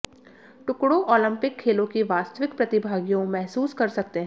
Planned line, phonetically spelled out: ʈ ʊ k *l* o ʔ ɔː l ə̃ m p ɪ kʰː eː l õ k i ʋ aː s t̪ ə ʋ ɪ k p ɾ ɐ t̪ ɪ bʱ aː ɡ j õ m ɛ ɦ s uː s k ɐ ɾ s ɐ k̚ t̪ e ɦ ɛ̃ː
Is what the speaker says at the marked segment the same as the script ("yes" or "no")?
no